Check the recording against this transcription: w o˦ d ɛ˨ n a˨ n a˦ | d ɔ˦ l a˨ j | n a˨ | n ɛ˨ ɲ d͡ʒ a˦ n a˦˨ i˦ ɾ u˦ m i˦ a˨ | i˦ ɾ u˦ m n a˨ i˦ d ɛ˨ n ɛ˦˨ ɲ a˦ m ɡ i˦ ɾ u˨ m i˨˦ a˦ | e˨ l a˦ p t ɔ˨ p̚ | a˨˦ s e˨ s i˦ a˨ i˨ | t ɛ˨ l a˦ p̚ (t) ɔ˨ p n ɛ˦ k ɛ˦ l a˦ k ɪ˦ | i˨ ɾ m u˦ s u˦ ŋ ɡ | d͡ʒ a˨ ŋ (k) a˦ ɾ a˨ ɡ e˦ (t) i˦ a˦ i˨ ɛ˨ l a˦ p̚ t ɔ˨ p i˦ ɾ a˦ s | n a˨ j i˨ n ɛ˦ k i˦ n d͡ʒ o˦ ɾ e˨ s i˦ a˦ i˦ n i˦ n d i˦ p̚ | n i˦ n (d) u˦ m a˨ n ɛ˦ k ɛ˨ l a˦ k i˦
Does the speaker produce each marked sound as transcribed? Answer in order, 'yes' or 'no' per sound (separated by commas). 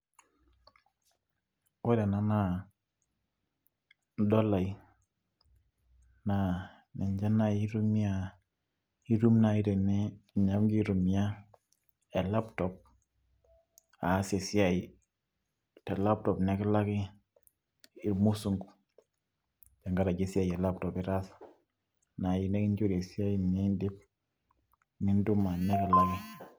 yes, no, no, yes